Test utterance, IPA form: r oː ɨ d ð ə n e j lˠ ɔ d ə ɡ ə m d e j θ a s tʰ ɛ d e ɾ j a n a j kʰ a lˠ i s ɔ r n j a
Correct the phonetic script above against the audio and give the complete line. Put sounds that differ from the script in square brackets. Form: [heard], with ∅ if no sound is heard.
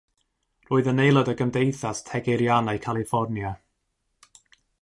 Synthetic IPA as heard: r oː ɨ [∅] ð ə n e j lˠ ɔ d ə ɡ ə m d e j θ a s tʰ ɛ [ɡ] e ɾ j a n a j kʰ a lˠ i [f] ɔ r n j a